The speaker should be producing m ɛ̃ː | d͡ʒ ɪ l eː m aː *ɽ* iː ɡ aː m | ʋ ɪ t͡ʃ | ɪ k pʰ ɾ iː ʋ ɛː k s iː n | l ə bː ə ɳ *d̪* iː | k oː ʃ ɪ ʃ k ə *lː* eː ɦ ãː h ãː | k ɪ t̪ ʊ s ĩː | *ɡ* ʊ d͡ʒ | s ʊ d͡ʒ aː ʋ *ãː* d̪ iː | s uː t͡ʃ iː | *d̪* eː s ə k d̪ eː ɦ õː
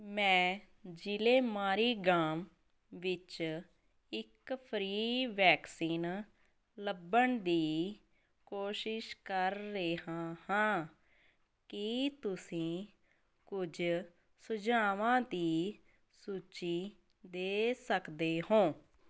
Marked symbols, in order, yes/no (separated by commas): no, yes, no, no, yes, yes